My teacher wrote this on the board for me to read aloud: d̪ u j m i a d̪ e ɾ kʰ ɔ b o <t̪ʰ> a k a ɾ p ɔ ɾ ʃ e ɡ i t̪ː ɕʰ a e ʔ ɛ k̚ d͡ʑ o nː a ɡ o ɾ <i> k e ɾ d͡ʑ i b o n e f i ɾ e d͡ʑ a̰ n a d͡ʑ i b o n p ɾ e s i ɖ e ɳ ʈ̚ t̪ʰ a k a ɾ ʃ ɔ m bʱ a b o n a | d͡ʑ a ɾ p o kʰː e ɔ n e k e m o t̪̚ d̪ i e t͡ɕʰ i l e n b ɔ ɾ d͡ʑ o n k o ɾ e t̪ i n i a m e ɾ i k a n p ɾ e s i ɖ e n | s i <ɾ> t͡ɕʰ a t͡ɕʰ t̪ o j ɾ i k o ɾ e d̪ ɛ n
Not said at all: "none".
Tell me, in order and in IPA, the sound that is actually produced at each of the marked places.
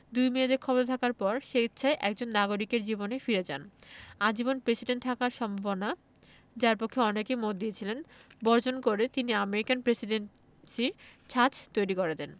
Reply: t̪ʰ, i, ɾ

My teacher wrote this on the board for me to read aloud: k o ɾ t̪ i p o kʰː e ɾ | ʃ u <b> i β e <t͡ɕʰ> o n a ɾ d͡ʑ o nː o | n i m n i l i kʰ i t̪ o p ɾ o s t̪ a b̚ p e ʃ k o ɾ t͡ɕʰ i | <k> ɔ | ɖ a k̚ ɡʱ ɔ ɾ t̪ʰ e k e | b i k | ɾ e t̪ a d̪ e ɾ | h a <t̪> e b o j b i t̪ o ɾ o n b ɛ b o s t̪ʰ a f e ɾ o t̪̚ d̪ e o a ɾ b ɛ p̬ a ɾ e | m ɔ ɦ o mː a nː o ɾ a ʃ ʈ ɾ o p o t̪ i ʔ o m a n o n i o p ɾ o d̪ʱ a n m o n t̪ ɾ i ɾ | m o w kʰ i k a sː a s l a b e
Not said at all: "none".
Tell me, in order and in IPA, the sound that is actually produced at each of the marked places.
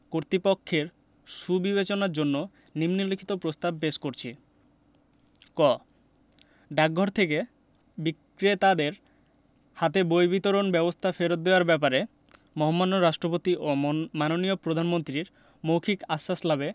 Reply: b, t͡ɕ, k, t̪

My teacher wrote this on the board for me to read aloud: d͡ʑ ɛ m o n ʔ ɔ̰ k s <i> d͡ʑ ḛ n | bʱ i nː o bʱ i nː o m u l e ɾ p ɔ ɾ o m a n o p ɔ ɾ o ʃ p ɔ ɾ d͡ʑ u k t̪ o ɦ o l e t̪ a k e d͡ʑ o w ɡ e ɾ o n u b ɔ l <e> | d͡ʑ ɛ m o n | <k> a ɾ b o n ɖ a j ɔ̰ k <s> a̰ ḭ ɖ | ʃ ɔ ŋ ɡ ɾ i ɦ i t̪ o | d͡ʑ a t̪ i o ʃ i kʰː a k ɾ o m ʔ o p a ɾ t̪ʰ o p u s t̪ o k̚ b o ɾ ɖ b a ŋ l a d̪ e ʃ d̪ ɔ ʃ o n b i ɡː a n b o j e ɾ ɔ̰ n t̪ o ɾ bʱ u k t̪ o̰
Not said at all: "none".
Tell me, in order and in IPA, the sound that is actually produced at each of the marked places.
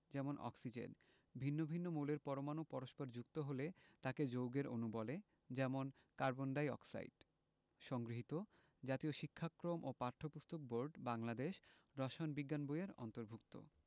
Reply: i, e, k, s

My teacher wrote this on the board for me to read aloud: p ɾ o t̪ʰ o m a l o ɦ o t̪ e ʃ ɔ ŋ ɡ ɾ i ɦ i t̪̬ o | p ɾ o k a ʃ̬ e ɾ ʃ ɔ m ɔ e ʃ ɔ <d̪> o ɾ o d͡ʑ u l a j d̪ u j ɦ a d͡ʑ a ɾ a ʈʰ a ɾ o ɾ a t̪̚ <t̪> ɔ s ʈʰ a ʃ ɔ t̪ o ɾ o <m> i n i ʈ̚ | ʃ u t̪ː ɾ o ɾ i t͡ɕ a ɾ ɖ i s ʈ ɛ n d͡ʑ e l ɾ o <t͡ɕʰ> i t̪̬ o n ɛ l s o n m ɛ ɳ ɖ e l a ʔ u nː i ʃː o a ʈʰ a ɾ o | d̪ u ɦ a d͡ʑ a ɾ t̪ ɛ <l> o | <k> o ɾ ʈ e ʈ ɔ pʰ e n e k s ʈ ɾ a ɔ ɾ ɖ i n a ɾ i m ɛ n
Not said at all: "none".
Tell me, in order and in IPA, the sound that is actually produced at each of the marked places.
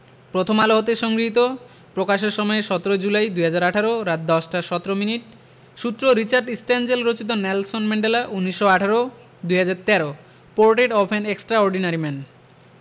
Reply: t̪, d̪, m, t͡ɕ, ɾ, p

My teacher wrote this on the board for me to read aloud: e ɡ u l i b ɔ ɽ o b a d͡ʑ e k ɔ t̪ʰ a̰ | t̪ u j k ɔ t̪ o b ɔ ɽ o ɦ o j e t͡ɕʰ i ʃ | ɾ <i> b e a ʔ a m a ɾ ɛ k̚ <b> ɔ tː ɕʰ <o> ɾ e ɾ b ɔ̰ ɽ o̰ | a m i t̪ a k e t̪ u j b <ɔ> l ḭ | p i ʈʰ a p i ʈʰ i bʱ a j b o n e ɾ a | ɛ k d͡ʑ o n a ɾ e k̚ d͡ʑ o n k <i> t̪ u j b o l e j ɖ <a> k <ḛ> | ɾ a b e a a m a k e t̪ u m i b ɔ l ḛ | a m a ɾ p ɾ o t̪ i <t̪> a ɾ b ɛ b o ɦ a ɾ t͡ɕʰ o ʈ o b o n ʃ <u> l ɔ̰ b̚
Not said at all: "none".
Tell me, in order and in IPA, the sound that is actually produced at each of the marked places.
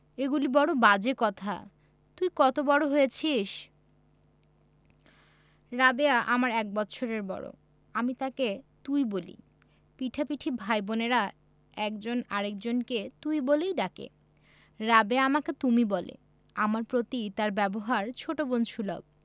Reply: a, b, o, o, e, a, ḛ, t̪, u

